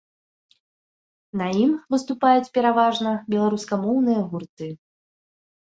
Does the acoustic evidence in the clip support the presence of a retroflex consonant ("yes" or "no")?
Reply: yes